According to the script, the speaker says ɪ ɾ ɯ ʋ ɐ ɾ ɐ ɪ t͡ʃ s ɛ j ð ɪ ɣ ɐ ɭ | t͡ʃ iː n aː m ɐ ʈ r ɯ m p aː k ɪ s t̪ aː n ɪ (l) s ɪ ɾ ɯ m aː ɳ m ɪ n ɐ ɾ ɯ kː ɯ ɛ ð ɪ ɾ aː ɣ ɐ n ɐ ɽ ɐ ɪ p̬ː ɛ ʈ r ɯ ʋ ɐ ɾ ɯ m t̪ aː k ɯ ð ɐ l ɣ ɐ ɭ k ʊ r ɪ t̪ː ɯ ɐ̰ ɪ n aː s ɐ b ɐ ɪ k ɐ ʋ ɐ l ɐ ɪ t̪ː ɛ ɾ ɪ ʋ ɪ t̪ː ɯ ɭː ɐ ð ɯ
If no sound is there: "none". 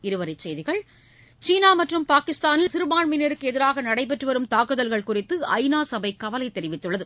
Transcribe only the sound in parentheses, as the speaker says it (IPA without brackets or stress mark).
l